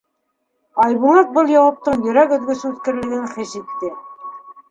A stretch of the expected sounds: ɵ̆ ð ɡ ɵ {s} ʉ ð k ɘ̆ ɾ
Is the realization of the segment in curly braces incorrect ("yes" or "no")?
no